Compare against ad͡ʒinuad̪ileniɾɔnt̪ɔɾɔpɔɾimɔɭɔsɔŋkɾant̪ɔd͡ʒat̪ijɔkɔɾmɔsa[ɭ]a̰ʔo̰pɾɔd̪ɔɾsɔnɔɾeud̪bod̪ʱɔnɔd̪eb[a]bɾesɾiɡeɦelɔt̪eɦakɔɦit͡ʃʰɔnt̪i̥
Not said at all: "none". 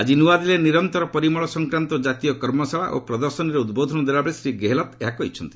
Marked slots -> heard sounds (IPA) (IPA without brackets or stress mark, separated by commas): ɭ, a